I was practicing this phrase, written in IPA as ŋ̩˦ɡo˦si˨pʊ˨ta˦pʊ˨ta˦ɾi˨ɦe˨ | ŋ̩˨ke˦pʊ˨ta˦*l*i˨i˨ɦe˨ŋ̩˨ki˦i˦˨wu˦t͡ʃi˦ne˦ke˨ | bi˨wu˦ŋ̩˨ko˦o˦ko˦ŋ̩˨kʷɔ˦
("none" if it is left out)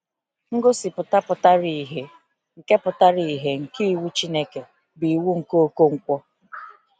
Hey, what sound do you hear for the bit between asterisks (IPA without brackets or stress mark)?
ɾ